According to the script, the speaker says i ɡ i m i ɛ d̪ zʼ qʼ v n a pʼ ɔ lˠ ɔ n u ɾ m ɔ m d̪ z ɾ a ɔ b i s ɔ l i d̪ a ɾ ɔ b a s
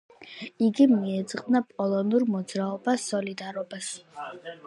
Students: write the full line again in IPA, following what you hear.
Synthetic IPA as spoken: i ɡ i m i ɛ d̪ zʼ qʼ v n a pʼ ɔ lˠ ɔ n u ɾ m ɔ d̪ z ɾ a ɔ b a s ɔ l i d̪ a ɾ ɔ b a s